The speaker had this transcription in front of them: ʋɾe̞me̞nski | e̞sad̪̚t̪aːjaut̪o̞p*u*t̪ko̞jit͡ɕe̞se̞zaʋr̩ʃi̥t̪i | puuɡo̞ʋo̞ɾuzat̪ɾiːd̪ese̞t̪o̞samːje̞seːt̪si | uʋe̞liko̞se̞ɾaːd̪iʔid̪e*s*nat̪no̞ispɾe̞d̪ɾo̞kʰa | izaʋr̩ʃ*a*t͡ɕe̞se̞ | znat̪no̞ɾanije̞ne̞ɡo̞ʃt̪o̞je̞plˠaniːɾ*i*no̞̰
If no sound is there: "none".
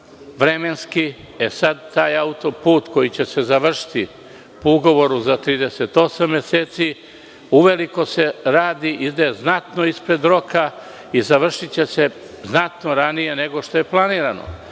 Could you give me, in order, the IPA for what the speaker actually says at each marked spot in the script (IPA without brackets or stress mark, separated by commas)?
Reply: uː, z, i, a